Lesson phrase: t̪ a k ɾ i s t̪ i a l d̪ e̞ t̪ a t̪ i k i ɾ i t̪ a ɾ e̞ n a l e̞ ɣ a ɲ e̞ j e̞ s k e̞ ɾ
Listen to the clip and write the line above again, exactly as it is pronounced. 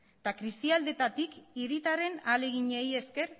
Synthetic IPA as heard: t̪ a k ɾ i s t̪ i a l d̪ e̞ t̪ a t̪ i k i ɾ i t̪ a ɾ e̞ n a l e̞ ɣ i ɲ e̞ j e̞ s k e̞ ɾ

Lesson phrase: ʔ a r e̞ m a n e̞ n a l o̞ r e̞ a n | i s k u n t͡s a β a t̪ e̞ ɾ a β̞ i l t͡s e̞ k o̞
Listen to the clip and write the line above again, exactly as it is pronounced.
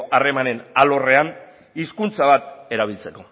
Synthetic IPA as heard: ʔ a r e̞ m a n e̞ n a l o̞ r e̞ a n | i s k u n t͡s a β a t̪ e̞ ɾ a β̞ i l t͡s e̞ k o̞

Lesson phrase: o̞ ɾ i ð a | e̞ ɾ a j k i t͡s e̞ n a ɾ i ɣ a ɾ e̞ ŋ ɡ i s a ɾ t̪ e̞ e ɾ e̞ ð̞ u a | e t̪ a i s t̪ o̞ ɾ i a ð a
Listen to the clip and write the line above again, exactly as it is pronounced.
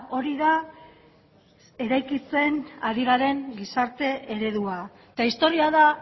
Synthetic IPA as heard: o̞ ɾ i ð a | e̞ ɾ a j k i t͡s e̞ n a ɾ i ɣ a ɾ e̞ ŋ ɡ i s a ɾ t̪ e̞ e ɾ e̞ ð̞ u a | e t̪ a i s t̪ o̞ ɾ i a ð a

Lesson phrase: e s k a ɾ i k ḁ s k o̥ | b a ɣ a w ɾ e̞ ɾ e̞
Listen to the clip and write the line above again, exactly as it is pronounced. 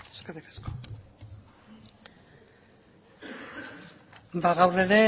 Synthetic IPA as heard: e s k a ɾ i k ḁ s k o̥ | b a ɣ a w r e̞ ɾ e̞

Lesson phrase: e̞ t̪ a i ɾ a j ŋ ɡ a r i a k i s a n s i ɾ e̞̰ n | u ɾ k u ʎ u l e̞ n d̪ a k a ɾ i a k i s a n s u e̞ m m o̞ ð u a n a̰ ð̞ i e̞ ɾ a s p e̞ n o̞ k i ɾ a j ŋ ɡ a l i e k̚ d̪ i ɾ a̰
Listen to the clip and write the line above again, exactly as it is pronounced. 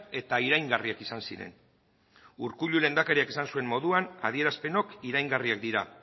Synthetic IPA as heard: e̞ t̪ a i ɾ a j ŋ ɡ a r i a k i s a n s i ɾ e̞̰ n | u ɾ k u ʎ u l e̞ n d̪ a k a ɾ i a k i s a n s u e̞ m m o̞ ð u a n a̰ ð̞ i e̞ ɾ a s p e̞ n o̞ k i ɾ a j ŋ ɡ a r i a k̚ d̪ i ɾ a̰

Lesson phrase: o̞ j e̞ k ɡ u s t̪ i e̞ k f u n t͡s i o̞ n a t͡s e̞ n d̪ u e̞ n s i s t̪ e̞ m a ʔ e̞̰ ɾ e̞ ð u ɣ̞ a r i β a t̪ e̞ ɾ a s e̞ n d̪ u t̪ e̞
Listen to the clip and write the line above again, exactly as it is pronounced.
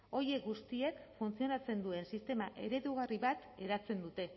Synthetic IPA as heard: o̞ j e̞ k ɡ u s t̪ i e̞ k f u n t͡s i o̞ n a t͡s e̞ n d̪ u e̞ n s i s t̪ e̞ m a ʔ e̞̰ ɾ e̞ ð u ɣ̞ a r i β a t̪ e̞ ɾ a t͡s e̞ n d̪ u t̪ e̞

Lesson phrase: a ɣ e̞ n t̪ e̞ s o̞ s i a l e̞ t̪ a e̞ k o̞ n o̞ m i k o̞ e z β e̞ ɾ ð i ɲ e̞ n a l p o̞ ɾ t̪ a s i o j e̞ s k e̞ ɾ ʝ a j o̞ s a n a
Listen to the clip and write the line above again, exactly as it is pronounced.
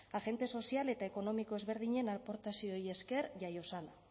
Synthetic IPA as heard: a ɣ e̞ n t̪ e̞ s o̞ s i a l e̞ t̪ a e̞ k o̞ n o̞ m i k o̞ e z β e̞ ɾ ð i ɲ e̞ n a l p o̞ ɾ t̪ a s i o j e̞ s k e̞ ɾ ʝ a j o̞ s a n a

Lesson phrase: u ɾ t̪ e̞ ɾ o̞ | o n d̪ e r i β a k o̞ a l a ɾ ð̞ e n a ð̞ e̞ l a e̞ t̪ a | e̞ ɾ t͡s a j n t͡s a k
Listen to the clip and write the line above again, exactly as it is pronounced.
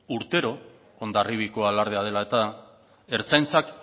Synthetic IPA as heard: u ɾ t̪ e̞ ɾ o̞ | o n d̪ a r i β i k o̞ a l a ɾ ð̞ e a ð̞ e̞ l a e̞ t̪ a | e̞ ɾ t͡s a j n t͡s a k

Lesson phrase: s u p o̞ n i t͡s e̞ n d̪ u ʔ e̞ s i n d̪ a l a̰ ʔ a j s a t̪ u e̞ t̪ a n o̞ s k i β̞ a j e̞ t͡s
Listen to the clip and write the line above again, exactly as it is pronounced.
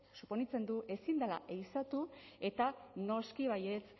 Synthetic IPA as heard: s u p o̞ n i t͡s e̞ n d̪ u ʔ e̞ s i n d̪ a l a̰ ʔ e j s a t̪ u e̞ t̪ a n o̞ s k i β̞ a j e̞ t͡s

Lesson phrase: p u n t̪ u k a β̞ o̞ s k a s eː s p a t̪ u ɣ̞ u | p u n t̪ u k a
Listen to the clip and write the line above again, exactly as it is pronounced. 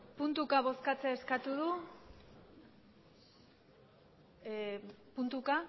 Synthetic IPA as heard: p u n t̪ u k a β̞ o̞ s k a t͡s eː s k a t̪ u ð̞ u | p u n t̪ u k a

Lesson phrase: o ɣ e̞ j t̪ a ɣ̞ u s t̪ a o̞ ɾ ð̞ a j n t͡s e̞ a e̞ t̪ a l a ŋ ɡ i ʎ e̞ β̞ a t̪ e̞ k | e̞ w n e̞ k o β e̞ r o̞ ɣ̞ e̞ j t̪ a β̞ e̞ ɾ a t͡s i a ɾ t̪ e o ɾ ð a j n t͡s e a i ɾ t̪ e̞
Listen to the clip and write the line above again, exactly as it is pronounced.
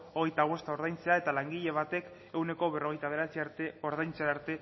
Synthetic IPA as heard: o ɣ e̞ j t̪ a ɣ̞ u s t̪ a o̞ ɾ ð̞ a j n t͡s e̞ a e̞ t̪ a l a ŋ ɡ i ʎ e̞ β̞ a t̪ e̞ k | e̞ w n e̞ k o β e̞ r o̞ ɣ̞ e̞ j t̪ a β̞ e̞ ɾ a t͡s i a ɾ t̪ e o ɾ ð a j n t͡s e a a ɾ t̪ e̞

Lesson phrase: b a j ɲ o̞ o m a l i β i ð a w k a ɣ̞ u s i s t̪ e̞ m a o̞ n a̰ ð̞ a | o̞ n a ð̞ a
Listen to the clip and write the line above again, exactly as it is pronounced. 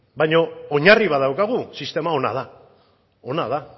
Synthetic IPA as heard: b a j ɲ o̞ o ɲ a r i β a ð a w k a ɣ̞ u s i s t̪ e̞ m a o̞ n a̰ ð̞ a | o̞ n a ð̞ a

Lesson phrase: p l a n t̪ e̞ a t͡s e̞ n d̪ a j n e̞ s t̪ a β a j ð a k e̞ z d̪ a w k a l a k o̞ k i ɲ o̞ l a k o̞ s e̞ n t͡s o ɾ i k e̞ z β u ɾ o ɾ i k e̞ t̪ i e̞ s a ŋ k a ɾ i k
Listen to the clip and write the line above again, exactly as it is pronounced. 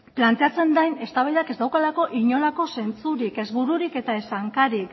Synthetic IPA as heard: p l a n t̪ e̞ a t͡s e̞ n d̪ a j n e̞ s t̪ a β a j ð a k e̞ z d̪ a w k a l a k o̞ ʔ i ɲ o̞ l a k o̞ s e̞ n t͡s u ɾ i k e̞ z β u ɾ u ɾ i k e̞ t̪ a e̞ s a ŋ k a ɾ i k

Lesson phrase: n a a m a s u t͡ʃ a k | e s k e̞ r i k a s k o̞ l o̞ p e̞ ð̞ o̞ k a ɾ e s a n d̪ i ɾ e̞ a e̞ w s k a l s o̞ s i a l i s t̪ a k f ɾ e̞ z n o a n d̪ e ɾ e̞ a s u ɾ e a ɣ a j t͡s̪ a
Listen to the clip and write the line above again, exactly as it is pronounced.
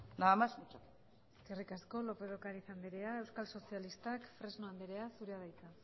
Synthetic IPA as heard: n a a m a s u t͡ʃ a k | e s k e̞ r i k a s k o̞ l o̞ p e̞ ð̞ o̞ k a ɾ i s a n d̪ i ɾ e̞ a e̞ w s k a l s o̞ s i a l i s t̪ a k f ɾ e̞ z n o a n d̪ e ɾ e̞ a s u ɾ e a ð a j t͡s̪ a

